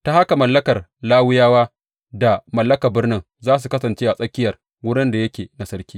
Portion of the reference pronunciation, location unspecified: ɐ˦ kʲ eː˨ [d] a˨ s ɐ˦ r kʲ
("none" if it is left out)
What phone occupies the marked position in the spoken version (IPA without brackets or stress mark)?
n